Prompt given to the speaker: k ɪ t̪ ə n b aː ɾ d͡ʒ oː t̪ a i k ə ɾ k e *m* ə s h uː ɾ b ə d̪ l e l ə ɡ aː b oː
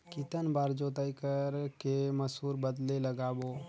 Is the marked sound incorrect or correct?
correct